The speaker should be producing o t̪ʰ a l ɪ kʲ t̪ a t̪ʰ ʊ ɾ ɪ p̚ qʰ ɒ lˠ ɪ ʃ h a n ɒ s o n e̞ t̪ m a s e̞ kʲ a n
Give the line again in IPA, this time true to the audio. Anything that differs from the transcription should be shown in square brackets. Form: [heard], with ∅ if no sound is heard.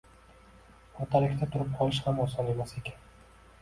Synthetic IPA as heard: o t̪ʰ a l ɪ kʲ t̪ a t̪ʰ ʊ ɾ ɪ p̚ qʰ ɒ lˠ ɪ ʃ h a [m] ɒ s [ɒ] n e̞ [∅] m a s e̞ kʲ a n

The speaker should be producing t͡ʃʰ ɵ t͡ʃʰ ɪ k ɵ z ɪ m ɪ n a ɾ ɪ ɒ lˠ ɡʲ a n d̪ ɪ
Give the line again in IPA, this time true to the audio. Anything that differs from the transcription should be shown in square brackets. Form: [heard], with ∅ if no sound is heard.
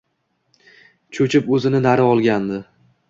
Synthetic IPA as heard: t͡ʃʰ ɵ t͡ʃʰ ɪ [p] ɵ z ɪ [n] ɪ n a ɾ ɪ ɒ lˠ ɡʲ a n d̪ ɪ

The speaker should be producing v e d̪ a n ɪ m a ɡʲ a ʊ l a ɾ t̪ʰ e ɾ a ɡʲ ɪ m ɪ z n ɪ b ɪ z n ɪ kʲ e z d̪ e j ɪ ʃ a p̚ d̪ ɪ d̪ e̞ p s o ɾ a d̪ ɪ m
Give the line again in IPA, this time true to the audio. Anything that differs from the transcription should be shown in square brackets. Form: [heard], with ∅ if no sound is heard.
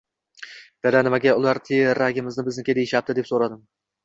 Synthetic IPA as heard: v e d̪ a n ɪ m a ɡʲ a ʊ l a ɾ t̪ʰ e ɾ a ɡʲ ɪ m ɪ z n ɪ b ɪ z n ɪ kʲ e [∅] d̪ e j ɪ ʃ a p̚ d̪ ɪ d̪ e̞ p s o ɾ a d̪ ɪ m

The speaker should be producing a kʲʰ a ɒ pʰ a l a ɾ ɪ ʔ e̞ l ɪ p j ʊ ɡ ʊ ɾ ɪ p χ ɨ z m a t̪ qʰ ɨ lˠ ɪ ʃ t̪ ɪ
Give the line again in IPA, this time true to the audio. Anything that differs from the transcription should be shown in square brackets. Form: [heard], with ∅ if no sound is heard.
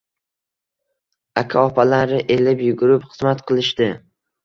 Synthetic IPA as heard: a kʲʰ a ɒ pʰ a l a ɾ ɪ ʔ e̞ l ɪ p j ʊ ɡ ʊ ɾ ɪ p χ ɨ z m a t̪ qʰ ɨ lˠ ɪ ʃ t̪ ɪ

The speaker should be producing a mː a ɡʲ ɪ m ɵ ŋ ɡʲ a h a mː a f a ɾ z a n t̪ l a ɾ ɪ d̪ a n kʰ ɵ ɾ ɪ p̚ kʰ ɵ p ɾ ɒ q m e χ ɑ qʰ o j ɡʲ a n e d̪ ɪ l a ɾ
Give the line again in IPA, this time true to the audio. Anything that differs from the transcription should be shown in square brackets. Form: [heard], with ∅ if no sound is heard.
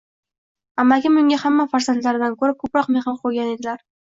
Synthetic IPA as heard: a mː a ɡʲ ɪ m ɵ ŋ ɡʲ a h a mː a f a ɾ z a n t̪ l a ɾ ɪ d̪ a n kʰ ɵ ɾ ɪ p̚ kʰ ɵ p ɾ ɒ q m e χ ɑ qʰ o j ɡʲ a n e d̪ ɪ l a ɾ

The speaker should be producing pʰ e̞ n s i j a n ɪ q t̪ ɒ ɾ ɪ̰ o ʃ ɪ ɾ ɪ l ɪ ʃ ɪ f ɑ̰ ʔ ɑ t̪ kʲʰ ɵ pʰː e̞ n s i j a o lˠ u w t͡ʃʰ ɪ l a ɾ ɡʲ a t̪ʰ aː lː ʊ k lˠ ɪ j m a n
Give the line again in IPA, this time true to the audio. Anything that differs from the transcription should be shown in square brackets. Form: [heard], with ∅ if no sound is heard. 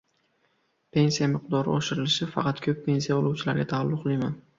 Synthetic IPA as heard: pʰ e̞ n s i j a [m] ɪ q [d̪] ɒ ɾ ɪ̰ o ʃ ɪ ɾ ɪ l ɪ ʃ ɪ f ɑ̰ [q] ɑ t̪ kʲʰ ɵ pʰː e̞ n s i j a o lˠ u w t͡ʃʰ ɪ l a ɾ ɡʲ a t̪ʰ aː lː ʊ [q] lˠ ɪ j m a n

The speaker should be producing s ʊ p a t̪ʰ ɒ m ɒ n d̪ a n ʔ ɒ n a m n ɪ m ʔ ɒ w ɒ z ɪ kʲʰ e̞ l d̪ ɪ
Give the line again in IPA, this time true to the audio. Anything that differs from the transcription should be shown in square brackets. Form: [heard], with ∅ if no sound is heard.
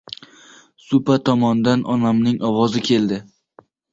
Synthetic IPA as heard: s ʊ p a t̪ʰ ɒ m ɒ n d̪ a n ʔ ɒ n a m n ɪ [ŋ] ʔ ɒ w ɒ z ɪ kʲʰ e̞ l d̪ ɪ

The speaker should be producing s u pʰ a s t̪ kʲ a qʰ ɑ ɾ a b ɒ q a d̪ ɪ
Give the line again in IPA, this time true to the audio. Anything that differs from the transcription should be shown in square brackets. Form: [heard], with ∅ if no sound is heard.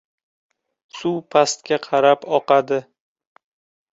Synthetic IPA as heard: s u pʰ a s t̪ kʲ a qʰ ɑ ɾ a [p] ɒ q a d̪ ɪ

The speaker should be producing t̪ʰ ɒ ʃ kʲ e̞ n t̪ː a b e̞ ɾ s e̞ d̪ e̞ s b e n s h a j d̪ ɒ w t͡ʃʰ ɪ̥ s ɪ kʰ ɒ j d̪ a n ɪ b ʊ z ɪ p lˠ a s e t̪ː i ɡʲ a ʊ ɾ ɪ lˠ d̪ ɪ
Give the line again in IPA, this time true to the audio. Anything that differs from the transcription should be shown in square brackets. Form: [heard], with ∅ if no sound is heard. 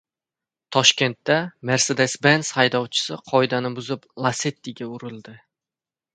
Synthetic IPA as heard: t̪ʰ ɒ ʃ kʲ e̞ n t̪ː a [m] e̞ ɾ s e̞ d̪ e̞ s b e n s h a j d̪ ɒ w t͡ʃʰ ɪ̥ s ɪ [qʰ] ɒ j d̪ a n ɪ b ʊ z ɪ p lˠ a s e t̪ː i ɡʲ a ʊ ɾ ɪ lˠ d̪ ɪ

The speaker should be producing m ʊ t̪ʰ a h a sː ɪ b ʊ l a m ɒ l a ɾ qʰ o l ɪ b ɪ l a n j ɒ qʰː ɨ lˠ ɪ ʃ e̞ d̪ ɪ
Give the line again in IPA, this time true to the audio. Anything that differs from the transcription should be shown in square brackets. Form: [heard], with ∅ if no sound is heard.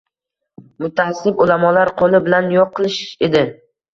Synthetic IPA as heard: m ʊ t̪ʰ a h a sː ɪ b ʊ l a m ɒ l a ɾ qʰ o l ɪ b ɪ l a n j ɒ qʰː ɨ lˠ ɪ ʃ e̞ d̪ ɪ

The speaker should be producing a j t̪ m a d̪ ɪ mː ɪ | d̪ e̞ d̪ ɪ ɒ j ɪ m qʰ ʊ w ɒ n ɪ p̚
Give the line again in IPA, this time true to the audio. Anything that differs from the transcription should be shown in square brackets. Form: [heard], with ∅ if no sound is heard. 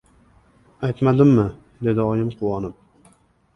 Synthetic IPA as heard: a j t̪ m a d̪ ɪ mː ɪ | d̪ e̞ d̪ ɪ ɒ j ɪ m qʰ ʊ w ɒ n ɪ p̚

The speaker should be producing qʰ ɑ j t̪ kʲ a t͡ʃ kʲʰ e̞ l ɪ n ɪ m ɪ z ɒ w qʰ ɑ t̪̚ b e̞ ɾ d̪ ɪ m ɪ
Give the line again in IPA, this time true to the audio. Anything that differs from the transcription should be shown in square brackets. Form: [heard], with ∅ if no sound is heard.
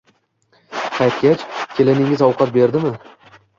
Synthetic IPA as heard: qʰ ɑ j t̪ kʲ a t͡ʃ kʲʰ e̞ l ɪ n ɪ [ŋ] ɪ z ɒ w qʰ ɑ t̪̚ b e̞ ɾ d̪ ɪ m ɪ

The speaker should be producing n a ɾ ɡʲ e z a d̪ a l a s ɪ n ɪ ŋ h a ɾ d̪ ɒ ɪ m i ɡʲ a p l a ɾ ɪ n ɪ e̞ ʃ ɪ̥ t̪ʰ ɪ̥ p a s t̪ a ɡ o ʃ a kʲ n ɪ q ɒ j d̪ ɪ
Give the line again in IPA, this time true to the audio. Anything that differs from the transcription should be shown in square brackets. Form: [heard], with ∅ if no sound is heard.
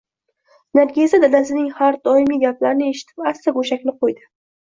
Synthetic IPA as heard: n a ɾ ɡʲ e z a d̪ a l a s ɪ n ɪ ŋ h a ɾ d̪ ɒ ɪ m i ɡʲ a p l a ɾ ɪ n ɪ e̞ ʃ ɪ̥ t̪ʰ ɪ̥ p a s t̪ a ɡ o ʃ a kʲ n ɪ q [o] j d̪ ɪ

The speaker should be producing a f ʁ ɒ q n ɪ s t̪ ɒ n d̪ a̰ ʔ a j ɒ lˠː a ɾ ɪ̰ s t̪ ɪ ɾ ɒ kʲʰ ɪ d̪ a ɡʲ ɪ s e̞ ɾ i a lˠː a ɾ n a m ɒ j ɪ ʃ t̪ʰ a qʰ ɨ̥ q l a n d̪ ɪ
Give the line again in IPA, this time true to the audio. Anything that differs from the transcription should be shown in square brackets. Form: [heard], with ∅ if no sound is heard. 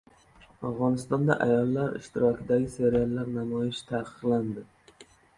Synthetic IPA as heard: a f ʁ ɒ [∅] n ɪ s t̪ ɒ n d̪ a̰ ʔ a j ɒ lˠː a ɾ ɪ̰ [ʃ] t̪ ɪ ɾ ɒ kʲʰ ɪ d̪ a ɡʲ ɪ s e̞ ɾ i a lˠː a ɾ n a m ɒ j ɪ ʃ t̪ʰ a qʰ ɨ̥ q l a n d̪ ɪ

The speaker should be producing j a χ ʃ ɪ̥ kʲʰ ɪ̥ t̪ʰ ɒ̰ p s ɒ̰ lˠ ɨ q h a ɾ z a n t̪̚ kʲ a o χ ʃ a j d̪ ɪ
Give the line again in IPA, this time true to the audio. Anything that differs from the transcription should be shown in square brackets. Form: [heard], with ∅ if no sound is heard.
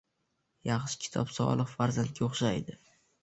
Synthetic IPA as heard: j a χ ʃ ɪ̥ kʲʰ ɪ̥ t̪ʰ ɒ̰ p s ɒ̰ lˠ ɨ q [f] a ɾ z a n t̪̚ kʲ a o χ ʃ a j d̪ ɪ

